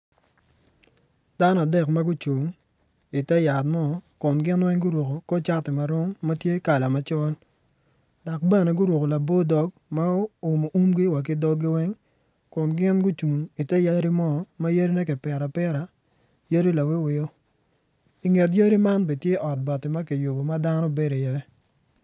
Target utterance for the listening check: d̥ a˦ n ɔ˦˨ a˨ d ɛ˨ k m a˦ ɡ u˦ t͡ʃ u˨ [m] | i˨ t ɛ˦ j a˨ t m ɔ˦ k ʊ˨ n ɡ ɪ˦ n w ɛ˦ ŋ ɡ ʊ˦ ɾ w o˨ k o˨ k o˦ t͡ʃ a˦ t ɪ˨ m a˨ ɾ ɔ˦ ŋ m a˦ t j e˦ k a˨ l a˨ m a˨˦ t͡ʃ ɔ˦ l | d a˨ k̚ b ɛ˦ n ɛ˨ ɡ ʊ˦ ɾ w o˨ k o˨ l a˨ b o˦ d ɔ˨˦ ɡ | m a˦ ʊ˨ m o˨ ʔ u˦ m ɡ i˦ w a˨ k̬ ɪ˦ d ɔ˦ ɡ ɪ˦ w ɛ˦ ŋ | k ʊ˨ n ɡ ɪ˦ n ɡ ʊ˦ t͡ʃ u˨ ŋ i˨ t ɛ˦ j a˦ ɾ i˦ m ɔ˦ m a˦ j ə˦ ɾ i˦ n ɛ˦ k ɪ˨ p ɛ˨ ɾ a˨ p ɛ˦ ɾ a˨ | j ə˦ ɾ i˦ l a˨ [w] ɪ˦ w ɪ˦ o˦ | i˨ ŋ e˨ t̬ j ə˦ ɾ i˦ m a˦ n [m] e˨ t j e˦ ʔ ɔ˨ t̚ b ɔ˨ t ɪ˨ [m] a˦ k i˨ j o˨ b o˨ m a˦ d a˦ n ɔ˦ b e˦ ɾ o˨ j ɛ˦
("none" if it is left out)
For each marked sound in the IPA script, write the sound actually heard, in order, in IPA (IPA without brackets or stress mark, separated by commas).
ŋ, w, b, m